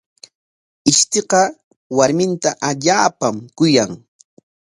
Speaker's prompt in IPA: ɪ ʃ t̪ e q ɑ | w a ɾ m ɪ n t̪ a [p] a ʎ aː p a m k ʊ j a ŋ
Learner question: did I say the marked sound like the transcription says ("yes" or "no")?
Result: no